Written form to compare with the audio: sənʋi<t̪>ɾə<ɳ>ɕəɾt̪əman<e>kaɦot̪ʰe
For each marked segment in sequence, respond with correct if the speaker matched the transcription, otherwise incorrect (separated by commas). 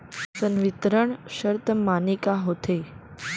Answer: correct, correct, incorrect